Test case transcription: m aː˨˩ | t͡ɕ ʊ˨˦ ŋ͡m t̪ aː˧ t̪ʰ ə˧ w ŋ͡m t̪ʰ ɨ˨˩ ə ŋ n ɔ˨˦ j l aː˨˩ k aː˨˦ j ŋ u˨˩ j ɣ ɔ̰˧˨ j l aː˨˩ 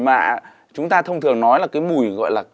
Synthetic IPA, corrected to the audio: m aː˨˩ | t͡ɕ ʊ˨˦ ŋ͡m t̪ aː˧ t̪ʰ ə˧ w ŋ͡m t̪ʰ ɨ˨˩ ə ŋ n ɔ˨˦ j l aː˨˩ k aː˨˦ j m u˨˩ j ɣ ɔ̰˧˨ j l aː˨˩